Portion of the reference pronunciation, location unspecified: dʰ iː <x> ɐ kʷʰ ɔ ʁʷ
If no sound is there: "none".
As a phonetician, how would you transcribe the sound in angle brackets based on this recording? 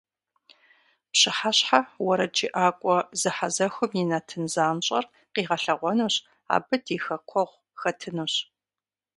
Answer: x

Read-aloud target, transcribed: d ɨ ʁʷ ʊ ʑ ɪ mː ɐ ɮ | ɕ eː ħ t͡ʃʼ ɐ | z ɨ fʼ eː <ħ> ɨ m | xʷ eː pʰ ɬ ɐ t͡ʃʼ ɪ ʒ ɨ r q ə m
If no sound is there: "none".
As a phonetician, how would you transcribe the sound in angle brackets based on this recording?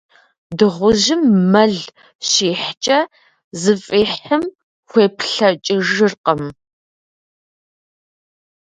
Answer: ħ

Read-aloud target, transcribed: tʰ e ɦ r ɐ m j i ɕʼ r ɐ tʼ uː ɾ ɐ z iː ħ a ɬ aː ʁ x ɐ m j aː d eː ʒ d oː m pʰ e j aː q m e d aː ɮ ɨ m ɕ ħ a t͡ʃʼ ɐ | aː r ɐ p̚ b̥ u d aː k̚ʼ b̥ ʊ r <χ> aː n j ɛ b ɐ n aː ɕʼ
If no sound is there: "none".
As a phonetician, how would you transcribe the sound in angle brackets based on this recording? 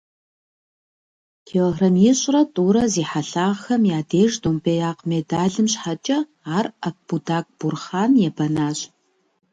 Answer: χ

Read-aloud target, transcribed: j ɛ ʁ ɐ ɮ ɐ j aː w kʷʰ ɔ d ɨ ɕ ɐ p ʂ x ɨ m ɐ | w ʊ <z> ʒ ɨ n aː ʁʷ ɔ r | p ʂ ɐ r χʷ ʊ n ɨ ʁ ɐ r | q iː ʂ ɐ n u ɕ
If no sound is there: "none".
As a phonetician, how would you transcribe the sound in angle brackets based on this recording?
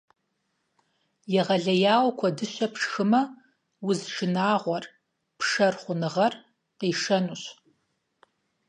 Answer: z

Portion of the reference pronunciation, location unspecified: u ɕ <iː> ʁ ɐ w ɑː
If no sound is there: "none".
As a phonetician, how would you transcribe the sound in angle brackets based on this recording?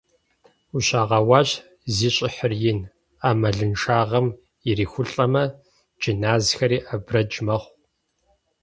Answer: aː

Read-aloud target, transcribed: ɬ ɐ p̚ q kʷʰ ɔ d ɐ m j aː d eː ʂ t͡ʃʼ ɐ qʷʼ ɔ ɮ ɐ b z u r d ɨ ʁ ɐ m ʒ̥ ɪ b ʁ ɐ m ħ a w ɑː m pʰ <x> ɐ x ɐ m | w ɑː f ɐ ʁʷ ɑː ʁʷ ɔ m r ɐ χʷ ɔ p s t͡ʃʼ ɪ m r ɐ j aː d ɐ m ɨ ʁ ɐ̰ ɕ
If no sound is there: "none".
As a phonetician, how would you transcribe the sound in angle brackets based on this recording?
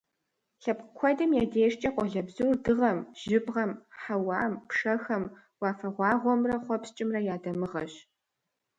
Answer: ʂ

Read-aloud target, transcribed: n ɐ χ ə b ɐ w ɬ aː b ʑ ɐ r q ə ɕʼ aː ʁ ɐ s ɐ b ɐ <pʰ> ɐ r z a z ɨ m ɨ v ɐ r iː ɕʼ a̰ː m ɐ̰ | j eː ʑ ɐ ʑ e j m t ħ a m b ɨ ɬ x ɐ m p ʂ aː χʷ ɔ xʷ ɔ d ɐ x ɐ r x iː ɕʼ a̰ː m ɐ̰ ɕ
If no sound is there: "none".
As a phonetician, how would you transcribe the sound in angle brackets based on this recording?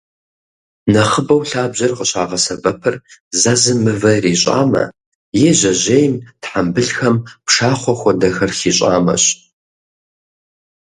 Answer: pʰ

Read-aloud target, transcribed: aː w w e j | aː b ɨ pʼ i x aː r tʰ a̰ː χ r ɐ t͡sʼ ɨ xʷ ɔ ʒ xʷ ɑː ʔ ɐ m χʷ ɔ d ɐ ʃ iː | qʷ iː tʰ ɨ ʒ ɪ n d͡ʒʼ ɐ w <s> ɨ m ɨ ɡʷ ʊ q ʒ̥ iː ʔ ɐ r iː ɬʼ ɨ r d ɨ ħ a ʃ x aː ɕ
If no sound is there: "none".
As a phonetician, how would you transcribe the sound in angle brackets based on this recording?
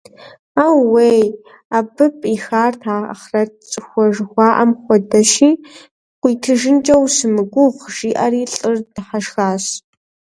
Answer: s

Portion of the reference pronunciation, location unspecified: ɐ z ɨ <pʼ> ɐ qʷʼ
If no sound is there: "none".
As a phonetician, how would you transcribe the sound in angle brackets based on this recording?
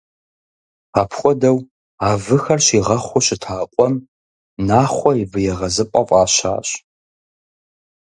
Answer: pʼ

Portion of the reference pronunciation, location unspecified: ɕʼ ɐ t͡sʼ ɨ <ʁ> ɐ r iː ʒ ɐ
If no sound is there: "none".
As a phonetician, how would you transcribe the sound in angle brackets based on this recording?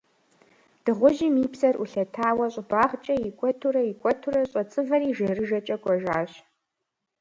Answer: v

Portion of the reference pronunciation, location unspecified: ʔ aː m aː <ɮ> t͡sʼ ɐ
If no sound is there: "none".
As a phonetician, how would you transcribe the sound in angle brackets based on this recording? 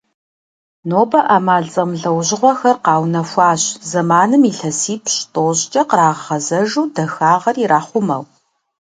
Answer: ɮ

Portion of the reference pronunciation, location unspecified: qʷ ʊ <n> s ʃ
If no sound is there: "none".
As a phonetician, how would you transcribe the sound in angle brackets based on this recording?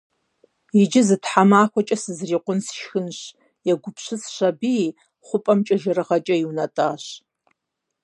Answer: n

